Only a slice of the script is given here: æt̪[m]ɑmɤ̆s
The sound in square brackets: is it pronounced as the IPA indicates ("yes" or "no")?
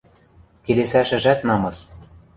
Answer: no